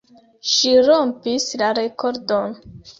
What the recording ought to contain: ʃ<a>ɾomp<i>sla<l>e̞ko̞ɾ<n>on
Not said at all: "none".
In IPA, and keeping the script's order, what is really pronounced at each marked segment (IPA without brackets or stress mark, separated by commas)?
i, i, ɾ, d